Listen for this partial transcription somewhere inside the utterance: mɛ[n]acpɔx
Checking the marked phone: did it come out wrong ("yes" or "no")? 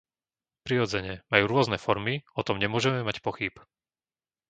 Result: yes